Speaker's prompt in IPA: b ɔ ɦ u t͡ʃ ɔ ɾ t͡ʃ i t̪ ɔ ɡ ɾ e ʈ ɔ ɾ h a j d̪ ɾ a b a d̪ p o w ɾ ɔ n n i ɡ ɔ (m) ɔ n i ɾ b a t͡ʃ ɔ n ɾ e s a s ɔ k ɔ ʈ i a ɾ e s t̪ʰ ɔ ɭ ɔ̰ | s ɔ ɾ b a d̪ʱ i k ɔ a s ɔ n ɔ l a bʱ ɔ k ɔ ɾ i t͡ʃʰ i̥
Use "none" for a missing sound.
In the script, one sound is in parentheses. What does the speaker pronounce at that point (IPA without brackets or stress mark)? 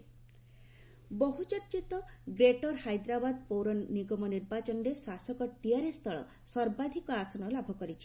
m